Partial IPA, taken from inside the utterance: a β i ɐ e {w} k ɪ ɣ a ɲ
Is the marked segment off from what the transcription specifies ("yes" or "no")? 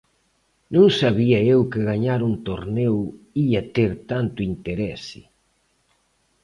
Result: no